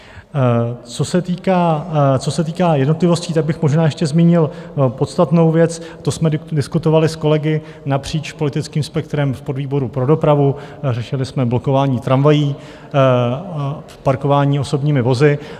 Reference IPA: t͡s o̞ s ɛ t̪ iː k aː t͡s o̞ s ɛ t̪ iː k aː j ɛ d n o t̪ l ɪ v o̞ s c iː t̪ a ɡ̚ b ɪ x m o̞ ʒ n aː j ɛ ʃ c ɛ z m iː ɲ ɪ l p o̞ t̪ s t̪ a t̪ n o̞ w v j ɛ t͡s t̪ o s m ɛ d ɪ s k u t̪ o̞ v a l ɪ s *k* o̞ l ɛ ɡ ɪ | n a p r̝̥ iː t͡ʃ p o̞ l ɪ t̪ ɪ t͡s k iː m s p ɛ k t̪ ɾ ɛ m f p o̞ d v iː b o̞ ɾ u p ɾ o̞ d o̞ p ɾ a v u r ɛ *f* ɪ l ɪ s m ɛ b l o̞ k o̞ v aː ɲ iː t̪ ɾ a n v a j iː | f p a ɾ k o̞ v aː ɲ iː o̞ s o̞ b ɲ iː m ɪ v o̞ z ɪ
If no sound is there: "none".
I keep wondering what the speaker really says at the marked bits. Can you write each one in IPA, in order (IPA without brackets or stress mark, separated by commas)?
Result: k, ʃ